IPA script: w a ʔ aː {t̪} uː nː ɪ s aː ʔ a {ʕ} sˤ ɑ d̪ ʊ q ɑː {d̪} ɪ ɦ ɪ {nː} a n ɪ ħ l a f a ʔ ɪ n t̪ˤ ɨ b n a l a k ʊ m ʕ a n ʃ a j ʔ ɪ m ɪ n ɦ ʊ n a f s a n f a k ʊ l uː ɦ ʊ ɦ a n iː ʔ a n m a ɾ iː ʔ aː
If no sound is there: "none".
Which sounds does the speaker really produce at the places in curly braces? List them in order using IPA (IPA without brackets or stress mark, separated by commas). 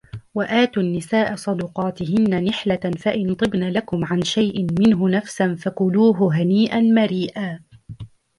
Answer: t̪, none, t̪, nː